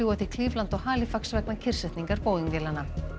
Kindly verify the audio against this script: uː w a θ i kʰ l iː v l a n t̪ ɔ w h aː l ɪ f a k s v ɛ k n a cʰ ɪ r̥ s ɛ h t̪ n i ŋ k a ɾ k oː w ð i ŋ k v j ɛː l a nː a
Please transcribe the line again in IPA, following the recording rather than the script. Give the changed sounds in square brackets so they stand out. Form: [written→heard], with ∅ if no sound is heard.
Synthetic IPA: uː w a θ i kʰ l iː v l a n t̪ ɔ [w→ɣ] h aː l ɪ f a k s v ɛ k n a cʰ ɪ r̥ s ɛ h t̪ n i ŋ k a ɾ [k→p] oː w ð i ŋ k v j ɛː l a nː a